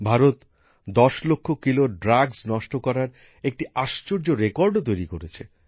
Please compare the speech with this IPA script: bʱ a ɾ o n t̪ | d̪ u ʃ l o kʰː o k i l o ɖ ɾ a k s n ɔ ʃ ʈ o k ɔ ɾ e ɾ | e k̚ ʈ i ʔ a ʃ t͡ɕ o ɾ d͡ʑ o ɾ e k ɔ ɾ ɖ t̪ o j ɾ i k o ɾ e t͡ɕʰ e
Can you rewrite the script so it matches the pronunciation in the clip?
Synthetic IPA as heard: bʱ a ɾ o t̪ | d̪ ɔ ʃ l o kʰː o k i l o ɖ ɾ a ɡ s n ɔ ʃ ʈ o k ɔ ɾ a ɾ | e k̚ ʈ i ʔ a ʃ t͡ɕ o ɾ d͡ʑ o ɾ e k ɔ ɾ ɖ t̪ o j ɾ i k o ɾ e t͡ɕʰ e